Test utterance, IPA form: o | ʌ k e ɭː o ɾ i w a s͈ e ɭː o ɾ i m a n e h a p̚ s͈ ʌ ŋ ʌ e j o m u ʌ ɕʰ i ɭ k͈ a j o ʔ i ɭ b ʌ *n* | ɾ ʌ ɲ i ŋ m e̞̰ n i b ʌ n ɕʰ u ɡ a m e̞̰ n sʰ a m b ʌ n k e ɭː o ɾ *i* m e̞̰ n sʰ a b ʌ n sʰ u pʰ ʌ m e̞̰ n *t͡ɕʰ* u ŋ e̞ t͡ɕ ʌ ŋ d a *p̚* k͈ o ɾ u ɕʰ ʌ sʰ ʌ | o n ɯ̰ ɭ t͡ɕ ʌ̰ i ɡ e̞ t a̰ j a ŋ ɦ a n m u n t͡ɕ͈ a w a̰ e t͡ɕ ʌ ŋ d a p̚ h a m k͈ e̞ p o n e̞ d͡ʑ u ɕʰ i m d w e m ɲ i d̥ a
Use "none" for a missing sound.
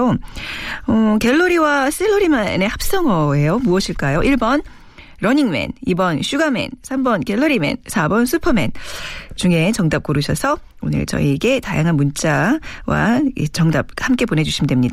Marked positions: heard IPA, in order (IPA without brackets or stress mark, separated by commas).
n, i, t͡ɕ, p̚